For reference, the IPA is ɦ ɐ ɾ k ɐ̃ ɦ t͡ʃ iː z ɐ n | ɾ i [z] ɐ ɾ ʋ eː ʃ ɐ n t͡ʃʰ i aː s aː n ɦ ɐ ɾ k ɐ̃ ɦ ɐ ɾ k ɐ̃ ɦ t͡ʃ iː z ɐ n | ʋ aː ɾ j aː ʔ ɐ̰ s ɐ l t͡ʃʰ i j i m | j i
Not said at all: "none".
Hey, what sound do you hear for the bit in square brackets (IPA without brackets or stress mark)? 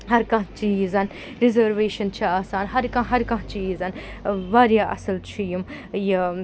z